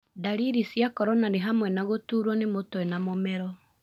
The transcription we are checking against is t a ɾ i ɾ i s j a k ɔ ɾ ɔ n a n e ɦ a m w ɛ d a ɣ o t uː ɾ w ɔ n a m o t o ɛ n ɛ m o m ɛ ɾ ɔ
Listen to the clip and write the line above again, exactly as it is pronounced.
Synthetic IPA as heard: d a ɾ i ɾ i s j a k ɔ ɾ ɔ n a n e ɦ a m w ɛ n a ɣ o t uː ɾ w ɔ n e m o t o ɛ n a m o m ɛ ɾ ɔ